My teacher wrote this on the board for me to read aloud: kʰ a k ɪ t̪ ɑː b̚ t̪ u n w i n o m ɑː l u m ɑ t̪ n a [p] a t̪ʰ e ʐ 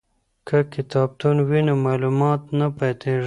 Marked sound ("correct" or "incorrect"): correct